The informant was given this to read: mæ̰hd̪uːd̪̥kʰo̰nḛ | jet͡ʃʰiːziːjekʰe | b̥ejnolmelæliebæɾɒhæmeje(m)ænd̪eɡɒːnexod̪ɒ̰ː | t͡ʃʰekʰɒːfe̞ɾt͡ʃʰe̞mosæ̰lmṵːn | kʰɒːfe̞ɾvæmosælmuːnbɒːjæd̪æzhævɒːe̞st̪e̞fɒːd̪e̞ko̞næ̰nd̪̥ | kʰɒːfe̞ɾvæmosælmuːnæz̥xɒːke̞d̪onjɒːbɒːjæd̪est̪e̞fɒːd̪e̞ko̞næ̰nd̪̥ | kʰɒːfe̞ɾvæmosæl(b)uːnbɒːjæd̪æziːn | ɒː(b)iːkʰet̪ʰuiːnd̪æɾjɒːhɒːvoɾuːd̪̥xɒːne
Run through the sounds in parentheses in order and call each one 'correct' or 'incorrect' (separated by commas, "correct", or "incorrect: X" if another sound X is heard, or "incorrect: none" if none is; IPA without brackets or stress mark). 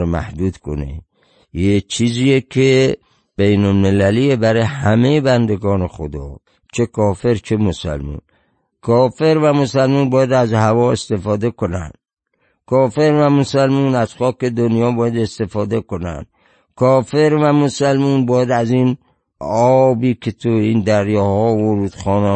incorrect: b, incorrect: m, correct